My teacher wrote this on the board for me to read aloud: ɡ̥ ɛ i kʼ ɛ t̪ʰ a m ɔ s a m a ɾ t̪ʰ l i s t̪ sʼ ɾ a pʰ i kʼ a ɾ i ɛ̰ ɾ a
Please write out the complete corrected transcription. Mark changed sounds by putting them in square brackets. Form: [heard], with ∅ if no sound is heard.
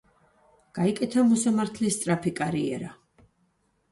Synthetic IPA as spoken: ɡ̥ [a] i kʼ ɛ t̪ʰ a m ɔ s a m a ɾ t̪ʰ l i s t̪ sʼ ɾ a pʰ i kʼ a ɾ i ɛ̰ ɾ a